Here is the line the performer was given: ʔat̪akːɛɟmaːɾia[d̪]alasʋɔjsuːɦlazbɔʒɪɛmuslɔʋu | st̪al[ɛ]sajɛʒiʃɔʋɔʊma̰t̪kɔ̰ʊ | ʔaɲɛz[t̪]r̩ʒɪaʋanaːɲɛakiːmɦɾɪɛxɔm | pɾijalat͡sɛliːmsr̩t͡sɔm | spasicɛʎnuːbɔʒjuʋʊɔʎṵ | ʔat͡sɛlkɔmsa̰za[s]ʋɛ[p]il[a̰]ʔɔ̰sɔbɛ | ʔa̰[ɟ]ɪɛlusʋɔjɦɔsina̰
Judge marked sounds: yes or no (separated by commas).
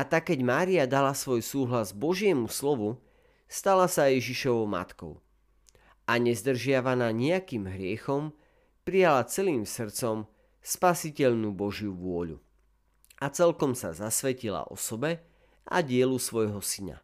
yes, no, no, yes, no, yes, yes